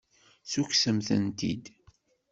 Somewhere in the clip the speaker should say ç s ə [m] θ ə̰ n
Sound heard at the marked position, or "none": m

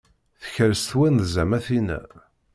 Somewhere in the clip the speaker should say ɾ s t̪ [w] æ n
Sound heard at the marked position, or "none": w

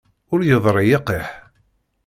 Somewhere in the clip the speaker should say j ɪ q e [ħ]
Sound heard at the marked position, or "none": ħ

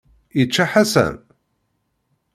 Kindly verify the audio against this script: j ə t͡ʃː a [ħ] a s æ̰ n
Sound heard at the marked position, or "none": ħ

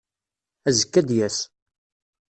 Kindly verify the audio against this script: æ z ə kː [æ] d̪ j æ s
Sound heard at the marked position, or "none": æ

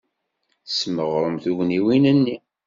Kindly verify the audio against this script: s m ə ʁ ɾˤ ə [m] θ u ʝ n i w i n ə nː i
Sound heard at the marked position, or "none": m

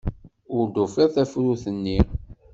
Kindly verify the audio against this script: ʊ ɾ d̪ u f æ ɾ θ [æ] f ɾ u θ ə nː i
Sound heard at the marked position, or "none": æ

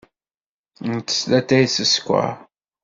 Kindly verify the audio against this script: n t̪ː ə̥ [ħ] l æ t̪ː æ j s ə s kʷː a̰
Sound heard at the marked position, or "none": s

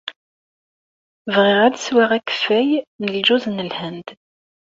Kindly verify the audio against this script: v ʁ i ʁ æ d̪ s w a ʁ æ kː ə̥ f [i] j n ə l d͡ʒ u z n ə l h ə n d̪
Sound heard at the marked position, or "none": æ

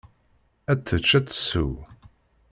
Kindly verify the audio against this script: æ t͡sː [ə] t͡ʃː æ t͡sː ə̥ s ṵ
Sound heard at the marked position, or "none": ə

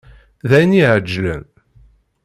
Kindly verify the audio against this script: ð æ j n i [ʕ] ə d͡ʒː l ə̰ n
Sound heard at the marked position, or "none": ʕ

